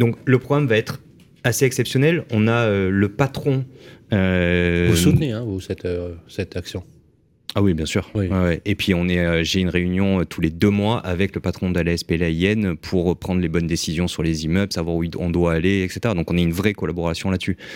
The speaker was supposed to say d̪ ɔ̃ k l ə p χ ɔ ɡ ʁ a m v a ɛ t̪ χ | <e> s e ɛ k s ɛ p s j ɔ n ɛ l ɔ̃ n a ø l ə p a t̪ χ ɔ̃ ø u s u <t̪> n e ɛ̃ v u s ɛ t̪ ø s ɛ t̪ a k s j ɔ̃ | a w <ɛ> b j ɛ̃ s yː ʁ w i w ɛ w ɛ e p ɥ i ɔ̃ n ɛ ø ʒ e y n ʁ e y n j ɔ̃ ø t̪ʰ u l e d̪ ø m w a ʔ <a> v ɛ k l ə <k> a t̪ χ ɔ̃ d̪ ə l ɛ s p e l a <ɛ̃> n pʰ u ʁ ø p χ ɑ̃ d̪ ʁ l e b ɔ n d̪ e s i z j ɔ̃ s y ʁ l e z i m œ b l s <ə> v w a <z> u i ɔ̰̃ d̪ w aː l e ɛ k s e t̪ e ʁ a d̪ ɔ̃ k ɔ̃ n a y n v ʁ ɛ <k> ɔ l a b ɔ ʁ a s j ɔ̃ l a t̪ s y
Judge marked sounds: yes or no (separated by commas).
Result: no, yes, no, yes, no, no, no, no, yes